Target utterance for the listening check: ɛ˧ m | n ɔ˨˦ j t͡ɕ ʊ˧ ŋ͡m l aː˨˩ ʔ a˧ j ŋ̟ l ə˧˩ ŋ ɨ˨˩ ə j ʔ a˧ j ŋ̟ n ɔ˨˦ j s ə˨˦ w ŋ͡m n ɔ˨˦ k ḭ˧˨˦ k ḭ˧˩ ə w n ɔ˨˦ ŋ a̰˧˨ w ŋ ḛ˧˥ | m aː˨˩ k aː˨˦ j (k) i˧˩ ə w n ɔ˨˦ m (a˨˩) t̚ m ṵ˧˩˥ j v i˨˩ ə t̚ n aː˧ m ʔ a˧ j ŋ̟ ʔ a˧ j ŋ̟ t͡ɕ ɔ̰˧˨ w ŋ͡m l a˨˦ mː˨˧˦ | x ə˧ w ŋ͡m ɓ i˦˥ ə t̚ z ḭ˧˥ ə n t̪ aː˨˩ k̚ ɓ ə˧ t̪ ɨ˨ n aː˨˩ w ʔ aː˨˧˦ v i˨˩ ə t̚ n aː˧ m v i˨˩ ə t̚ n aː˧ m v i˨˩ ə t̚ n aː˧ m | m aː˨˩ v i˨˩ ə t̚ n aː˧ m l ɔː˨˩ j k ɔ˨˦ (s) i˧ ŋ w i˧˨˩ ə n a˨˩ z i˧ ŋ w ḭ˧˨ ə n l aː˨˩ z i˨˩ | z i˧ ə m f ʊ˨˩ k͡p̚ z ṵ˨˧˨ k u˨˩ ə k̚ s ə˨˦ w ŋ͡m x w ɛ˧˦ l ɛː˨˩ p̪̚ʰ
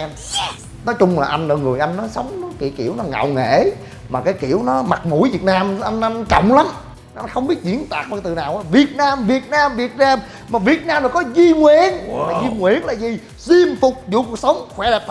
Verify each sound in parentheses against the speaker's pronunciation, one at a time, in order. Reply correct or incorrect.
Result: correct, correct, incorrect: z

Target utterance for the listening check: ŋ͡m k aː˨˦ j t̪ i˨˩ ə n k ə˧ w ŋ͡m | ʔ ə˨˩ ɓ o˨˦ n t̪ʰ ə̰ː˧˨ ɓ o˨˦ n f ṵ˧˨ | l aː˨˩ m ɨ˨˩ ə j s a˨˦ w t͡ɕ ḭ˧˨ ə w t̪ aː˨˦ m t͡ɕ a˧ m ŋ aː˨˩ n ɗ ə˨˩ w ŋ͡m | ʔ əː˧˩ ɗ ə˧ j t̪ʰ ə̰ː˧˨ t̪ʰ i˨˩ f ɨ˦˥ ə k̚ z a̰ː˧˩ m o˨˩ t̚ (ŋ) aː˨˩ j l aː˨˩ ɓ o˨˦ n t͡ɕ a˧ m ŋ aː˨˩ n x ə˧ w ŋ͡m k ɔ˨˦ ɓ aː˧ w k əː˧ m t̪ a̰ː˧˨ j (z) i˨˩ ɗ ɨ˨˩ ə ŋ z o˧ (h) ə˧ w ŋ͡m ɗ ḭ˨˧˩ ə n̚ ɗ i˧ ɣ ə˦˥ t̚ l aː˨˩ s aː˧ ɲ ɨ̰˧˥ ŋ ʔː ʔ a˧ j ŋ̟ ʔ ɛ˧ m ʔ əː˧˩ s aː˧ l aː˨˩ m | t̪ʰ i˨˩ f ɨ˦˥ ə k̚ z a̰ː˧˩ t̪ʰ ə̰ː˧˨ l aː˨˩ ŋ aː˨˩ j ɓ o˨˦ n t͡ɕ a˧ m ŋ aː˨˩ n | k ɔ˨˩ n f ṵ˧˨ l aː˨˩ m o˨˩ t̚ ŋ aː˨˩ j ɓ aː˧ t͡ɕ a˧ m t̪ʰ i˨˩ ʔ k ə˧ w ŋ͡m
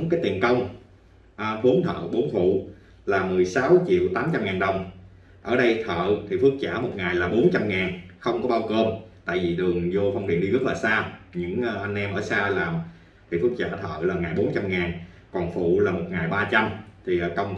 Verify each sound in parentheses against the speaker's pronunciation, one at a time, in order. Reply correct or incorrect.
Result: correct, incorrect: v, incorrect: f

